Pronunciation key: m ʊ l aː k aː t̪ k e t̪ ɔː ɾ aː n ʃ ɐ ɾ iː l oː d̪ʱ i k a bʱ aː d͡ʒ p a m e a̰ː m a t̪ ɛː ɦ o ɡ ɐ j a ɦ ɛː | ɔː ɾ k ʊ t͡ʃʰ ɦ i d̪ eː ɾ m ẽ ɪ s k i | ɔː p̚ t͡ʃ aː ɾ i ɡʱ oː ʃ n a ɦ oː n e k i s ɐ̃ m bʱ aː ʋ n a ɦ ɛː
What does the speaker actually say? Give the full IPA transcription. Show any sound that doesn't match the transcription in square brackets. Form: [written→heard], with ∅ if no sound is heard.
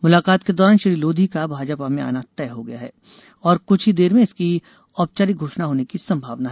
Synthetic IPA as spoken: m ʊ l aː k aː t̪ k e [t̪→d̪] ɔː ɾ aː n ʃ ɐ ɾ iː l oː d̪ʱ i k a bʱ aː d͡ʒ p a m [e→ẽ] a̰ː [m→n] a t̪ ɛː ɦ o ɡ ɐ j a ɦ ɛː | ɔː ɾ k ʊ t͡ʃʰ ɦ i d̪ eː ɾ m ẽ ɪ s k i | ɔː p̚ t͡ʃ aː ɾ i ɡʱ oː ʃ n a ɦ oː n e k i s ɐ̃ m bʱ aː ʋ n a ɦ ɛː